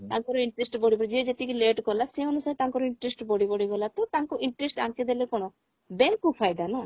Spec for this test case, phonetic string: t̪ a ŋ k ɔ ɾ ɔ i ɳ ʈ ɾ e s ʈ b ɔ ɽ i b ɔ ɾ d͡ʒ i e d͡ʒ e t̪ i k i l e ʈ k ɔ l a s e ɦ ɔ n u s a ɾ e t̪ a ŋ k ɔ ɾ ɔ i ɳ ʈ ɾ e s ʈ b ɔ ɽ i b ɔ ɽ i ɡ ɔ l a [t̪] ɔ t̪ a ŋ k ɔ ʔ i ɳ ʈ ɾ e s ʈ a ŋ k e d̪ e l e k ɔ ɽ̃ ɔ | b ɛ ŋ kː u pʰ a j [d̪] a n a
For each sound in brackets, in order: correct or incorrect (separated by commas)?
correct, correct